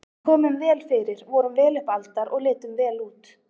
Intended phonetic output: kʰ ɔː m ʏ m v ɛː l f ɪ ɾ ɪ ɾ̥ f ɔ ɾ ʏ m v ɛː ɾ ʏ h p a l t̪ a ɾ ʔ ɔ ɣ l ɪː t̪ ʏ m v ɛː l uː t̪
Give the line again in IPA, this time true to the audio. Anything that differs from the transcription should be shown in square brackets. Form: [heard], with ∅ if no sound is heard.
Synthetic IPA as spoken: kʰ ɔː m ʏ m v ɛː l f ɪ ɾ ɪ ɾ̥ [v] ɔ ɾ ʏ m v ɛː [l] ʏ h p a l t̪ a ɾ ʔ ɔ ɣ l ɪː t̪ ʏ m v ɛː l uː t̪